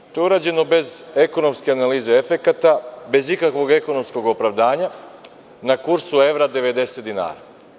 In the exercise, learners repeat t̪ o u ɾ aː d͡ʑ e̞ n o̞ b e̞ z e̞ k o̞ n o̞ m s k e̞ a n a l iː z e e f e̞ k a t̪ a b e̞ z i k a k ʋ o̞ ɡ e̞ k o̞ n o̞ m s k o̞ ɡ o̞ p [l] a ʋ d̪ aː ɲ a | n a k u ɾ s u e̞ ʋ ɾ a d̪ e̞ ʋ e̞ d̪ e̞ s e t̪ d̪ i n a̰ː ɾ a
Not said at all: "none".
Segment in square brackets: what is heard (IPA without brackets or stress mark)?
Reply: ɾ